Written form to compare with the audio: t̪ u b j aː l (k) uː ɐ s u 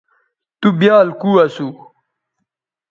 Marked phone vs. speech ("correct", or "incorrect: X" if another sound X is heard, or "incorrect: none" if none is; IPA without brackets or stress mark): correct